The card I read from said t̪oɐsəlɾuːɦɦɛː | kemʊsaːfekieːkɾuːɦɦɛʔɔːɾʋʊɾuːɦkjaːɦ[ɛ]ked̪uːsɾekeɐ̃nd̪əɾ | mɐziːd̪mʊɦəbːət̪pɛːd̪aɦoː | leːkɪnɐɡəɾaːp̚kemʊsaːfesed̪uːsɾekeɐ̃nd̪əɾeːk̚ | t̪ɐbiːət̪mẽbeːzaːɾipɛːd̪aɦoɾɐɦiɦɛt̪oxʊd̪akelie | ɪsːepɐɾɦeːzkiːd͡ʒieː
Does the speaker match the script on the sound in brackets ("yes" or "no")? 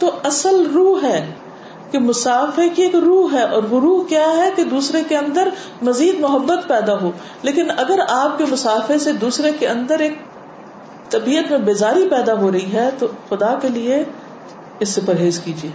yes